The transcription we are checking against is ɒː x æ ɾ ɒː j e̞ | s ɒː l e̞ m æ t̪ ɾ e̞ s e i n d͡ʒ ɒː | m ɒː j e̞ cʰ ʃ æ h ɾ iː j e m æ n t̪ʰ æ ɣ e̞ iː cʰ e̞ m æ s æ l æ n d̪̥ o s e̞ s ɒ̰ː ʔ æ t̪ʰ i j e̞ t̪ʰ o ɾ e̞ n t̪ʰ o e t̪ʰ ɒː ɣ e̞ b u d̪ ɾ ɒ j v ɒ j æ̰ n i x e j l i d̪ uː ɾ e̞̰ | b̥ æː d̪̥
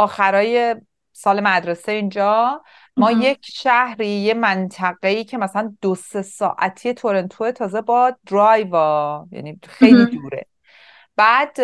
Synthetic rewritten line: ɒː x æ ɾ ɒː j e̞ | s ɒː l e̞ m æ d̪ ɾ e̞ s e i n d͡ʒ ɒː | m ɒː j e̞ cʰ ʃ æ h ɾ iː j e m æ n t̪ʰ æ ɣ e̞ iː cʰ e̞ m æ s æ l æ n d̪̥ o s e̞ s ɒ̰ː ʔ æ t̪ʰ i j e̞ t̪ʰ o ɾ e̞ n t̪ʰ o e t̪ʰ ɒː z e̞ b ɒ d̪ ɾ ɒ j v ɒ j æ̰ n i x e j l i d̪ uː ɾ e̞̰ | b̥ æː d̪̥